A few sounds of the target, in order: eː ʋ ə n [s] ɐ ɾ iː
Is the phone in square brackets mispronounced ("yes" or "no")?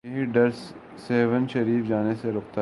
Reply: yes